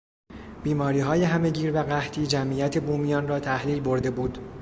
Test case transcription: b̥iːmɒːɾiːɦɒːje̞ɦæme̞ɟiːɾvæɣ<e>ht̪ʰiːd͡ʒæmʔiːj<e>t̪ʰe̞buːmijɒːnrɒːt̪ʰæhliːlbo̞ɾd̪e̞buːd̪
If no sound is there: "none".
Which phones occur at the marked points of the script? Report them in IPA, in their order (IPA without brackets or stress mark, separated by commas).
æ, æ